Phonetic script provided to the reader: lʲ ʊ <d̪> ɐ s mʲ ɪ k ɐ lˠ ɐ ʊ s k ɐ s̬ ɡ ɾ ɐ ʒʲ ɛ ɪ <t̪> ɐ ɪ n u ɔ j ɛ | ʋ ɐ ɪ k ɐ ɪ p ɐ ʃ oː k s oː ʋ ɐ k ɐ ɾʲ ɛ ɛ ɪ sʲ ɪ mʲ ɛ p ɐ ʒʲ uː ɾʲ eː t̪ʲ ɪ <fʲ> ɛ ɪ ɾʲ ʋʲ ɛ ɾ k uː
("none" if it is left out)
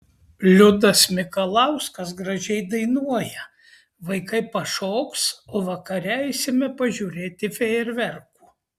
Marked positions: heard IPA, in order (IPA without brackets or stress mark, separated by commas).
d̪, d̪, fʲ